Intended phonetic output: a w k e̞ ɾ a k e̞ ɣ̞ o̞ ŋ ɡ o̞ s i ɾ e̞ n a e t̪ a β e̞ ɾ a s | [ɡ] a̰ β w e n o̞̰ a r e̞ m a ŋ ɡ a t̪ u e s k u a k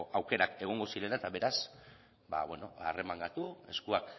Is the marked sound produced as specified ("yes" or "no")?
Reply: no